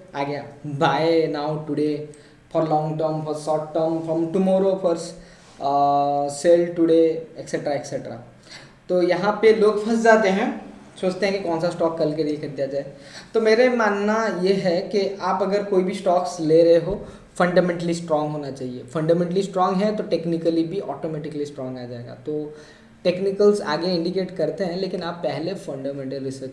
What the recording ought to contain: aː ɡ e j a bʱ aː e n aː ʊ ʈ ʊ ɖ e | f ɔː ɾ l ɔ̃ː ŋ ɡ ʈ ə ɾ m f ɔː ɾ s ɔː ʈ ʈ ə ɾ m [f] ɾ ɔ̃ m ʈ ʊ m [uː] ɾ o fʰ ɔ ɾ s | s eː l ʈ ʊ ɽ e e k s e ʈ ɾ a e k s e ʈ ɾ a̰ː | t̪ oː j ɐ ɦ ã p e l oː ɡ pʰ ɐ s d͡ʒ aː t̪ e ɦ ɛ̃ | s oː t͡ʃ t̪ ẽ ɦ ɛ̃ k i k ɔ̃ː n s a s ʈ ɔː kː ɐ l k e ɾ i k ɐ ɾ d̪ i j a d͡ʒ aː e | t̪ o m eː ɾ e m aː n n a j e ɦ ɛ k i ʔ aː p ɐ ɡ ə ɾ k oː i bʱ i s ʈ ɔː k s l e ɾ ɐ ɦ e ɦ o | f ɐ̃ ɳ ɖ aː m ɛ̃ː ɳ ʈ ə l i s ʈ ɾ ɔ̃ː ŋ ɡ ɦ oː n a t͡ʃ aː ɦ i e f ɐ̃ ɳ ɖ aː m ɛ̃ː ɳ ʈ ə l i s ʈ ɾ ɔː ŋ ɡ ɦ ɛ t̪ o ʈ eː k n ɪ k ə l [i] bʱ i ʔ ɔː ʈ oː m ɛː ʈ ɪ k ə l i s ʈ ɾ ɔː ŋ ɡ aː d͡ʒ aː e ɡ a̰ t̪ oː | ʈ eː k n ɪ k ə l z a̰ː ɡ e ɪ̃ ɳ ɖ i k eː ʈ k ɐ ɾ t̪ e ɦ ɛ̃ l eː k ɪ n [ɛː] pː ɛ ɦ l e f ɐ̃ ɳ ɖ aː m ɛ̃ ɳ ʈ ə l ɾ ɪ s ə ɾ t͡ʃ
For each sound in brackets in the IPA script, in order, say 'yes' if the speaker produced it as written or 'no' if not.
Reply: yes, no, yes, no

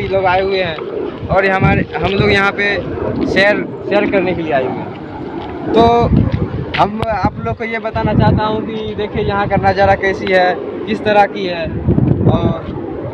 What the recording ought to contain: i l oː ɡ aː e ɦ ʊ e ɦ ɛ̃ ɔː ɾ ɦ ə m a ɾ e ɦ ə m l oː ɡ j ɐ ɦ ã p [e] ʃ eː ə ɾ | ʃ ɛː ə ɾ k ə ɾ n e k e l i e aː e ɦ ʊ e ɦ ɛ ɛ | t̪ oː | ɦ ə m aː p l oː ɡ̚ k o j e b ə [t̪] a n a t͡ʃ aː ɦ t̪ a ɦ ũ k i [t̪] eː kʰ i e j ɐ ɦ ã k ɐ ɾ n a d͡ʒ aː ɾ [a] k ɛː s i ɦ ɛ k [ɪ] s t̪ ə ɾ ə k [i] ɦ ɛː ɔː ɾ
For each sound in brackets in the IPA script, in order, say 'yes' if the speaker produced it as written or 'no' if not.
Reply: yes, yes, no, yes, yes, yes

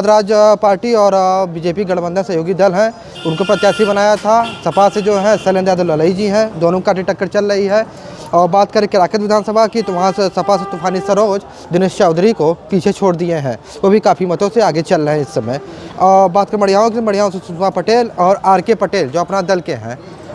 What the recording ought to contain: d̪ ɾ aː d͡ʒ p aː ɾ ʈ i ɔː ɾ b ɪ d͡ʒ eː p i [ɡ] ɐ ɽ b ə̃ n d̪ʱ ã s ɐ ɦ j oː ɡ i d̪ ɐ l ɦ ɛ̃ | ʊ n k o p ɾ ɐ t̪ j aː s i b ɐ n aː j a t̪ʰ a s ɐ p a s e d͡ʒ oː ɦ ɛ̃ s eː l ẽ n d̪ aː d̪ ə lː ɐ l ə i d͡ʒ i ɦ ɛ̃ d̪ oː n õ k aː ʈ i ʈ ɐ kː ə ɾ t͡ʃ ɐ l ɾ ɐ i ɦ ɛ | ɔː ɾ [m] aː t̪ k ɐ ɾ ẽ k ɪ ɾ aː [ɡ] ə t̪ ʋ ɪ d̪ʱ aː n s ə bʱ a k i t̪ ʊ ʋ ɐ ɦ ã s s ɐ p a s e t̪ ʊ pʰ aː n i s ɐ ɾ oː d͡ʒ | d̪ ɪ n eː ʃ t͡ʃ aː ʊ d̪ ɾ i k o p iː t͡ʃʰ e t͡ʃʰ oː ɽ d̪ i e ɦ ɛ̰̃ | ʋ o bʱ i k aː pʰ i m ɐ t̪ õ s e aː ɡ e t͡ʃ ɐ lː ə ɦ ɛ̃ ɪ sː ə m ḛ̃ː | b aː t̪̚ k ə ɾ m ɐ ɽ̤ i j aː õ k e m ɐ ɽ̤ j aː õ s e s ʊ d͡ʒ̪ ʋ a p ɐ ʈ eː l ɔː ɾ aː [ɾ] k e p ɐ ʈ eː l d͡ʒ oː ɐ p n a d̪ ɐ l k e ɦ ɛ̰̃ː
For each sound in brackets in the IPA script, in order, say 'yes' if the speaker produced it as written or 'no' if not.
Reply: yes, no, no, yes

